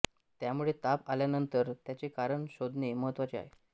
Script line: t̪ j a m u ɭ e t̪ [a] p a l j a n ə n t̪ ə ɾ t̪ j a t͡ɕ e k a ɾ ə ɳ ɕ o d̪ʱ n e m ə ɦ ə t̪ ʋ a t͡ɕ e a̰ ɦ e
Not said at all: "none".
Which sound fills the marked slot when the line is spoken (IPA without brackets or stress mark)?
a